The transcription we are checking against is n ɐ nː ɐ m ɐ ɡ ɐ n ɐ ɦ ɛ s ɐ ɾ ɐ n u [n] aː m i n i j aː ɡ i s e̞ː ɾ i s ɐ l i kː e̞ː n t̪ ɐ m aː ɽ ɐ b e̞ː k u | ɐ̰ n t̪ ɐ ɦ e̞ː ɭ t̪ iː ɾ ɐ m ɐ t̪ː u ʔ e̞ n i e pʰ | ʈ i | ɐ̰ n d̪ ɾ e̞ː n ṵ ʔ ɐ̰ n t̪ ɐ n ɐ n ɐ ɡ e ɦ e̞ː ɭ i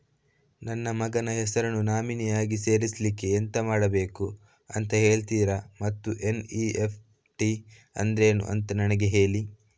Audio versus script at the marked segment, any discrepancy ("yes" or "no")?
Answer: no